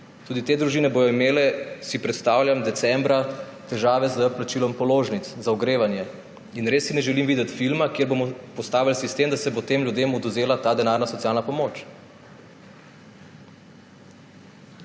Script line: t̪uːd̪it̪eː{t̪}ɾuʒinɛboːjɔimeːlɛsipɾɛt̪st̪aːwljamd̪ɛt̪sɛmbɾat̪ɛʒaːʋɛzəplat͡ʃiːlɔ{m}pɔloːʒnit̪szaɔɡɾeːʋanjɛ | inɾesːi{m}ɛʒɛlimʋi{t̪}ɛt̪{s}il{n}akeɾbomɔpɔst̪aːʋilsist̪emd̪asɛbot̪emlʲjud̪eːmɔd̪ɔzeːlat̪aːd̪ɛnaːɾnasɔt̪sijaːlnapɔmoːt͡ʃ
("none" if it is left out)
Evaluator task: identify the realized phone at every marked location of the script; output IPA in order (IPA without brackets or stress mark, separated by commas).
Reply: d̪, m, n, d̪, f, m